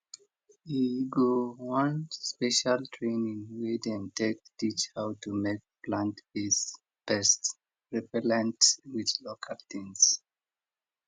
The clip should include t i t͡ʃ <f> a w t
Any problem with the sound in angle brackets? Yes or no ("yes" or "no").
yes